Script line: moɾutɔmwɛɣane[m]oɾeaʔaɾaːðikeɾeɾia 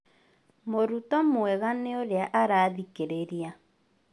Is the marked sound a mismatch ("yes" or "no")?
yes